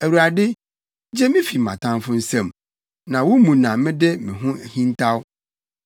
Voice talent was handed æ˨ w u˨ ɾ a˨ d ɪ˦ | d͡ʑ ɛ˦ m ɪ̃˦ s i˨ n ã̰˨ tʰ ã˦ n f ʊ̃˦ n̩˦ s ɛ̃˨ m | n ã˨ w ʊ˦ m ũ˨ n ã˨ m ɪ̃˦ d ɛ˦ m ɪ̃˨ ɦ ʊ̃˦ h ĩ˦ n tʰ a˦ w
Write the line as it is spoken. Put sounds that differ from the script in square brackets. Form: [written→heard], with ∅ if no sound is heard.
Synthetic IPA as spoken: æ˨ w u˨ ɾ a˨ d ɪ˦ | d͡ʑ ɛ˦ m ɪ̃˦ [s→f] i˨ [n→m] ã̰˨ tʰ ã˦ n f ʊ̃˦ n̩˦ s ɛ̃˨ m | n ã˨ w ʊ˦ m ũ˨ n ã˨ m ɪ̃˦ d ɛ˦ m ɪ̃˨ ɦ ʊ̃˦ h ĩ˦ n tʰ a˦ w

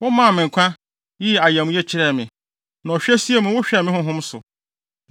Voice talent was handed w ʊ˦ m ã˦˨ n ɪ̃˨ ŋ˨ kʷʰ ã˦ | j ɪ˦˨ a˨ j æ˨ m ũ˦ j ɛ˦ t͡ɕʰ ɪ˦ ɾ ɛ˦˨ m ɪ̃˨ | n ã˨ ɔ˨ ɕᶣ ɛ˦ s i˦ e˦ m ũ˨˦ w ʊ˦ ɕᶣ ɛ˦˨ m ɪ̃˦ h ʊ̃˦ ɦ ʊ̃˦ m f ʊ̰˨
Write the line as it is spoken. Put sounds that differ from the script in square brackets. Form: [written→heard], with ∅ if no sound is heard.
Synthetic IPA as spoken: w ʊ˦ m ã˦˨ [n→m] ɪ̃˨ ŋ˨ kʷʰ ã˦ | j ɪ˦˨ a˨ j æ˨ m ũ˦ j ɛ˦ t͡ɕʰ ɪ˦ ɾ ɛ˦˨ m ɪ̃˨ | n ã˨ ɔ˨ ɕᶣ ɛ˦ s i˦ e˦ m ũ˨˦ w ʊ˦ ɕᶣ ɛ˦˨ m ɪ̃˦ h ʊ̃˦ ɦ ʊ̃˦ m [f→s] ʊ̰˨

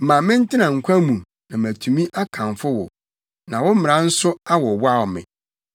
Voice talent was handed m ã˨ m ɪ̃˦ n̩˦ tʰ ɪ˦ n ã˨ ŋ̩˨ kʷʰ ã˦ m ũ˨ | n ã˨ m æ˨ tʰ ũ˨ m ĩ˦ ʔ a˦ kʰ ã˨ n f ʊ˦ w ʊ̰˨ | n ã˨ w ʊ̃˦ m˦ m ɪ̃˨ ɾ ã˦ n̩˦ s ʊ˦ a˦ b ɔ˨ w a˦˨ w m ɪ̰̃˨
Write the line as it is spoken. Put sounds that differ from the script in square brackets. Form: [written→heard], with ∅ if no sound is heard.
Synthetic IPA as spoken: m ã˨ m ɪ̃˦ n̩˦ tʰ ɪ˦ n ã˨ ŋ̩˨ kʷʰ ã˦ m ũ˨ | n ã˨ m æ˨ tʰ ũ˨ m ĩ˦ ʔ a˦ kʰ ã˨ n f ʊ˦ w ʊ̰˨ | n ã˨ w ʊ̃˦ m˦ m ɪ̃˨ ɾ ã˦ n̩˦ s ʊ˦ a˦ [b→w] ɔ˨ w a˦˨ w m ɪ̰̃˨

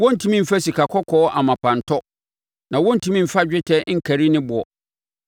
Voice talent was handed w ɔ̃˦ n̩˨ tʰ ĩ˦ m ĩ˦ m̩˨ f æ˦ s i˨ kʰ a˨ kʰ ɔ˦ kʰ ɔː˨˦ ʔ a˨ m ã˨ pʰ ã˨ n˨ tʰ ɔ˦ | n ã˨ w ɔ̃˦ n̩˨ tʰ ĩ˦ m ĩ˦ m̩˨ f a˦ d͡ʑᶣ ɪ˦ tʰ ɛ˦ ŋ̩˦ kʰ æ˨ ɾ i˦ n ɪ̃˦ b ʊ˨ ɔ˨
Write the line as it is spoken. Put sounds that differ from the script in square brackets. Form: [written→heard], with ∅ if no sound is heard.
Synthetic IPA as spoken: w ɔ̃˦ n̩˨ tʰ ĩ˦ m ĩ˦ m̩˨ f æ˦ s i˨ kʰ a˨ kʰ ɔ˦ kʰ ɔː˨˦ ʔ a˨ m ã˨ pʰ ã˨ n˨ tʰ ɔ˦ | n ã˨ w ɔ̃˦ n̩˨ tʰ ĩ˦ m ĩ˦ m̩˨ f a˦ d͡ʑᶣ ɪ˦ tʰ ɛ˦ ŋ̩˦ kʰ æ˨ ɾ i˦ n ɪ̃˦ b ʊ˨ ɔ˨

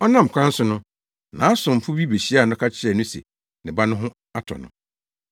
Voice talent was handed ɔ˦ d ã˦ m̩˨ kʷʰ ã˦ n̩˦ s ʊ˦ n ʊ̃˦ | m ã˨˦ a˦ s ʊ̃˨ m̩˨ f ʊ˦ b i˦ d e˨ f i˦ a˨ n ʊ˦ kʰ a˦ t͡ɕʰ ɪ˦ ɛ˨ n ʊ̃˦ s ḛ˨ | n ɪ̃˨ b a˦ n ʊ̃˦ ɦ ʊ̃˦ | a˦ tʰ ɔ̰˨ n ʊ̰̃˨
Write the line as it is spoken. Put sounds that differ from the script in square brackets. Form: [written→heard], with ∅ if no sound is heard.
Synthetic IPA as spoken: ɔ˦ [d→n] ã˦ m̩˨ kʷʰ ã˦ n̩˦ s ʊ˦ n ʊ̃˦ | [m→n] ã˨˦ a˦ s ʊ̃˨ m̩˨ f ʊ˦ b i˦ [d→b] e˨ [f→ɕ] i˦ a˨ n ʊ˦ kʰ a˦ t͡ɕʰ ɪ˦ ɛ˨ n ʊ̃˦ s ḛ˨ | n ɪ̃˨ b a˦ n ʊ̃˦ ɦ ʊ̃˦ | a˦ tʰ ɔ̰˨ n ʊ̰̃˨

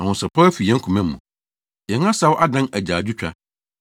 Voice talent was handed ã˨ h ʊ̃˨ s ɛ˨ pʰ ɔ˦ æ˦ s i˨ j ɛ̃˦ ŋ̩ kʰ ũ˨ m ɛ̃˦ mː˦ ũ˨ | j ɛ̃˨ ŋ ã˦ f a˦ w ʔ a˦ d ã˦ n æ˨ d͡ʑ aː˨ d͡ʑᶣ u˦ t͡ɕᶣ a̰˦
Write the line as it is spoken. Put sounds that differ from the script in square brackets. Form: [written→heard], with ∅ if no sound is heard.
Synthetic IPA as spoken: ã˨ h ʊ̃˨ s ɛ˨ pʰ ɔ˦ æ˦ [s→f] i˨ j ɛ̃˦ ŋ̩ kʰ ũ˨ m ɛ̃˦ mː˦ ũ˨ | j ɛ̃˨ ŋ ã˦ [f→s] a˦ w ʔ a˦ d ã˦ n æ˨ d͡ʑ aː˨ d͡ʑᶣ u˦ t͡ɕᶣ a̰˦

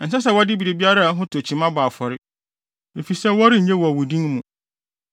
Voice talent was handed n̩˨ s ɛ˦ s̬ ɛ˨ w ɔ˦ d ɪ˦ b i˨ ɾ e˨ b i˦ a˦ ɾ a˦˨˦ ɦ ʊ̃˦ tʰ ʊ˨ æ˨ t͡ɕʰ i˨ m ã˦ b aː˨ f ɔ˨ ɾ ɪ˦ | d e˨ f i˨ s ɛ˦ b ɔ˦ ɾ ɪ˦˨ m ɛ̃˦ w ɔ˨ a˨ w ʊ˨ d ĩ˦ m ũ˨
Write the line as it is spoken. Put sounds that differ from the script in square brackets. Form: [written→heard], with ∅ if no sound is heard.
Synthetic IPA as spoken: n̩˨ s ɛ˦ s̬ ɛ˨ w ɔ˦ d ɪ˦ b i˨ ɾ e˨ b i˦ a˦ ɾ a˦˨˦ ɦ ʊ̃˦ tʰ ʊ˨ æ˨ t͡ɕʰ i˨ m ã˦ b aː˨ f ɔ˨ ɾ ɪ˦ | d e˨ f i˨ s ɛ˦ [b→w] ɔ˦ ɾ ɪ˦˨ [m→ɲ] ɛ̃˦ w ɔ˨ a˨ w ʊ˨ d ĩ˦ m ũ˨

